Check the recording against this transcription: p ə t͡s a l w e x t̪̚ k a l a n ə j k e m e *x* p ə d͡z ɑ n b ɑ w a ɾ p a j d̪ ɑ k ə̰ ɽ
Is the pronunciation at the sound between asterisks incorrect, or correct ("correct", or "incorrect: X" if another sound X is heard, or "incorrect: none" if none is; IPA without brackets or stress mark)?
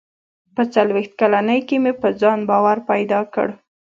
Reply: incorrect: none